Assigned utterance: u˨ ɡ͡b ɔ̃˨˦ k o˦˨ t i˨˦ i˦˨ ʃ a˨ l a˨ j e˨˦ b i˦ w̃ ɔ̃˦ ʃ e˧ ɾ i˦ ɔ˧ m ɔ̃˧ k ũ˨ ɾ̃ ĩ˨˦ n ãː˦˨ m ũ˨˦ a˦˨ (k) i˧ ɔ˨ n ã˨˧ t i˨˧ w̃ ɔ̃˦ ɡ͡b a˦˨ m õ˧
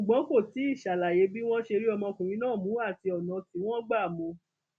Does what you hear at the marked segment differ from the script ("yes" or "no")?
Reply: yes